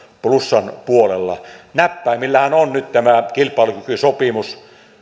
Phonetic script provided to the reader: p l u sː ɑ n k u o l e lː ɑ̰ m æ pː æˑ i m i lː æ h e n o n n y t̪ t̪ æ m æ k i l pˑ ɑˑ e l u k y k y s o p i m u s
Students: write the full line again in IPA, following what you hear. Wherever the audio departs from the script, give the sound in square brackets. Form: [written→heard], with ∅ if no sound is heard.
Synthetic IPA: p l u sː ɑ n [k→p] u o l e lː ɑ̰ [m→n] æ pː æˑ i m i lː æ h [e→æ] n o n n y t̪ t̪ æ m æ k i l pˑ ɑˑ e l u k y k y s o p i m u s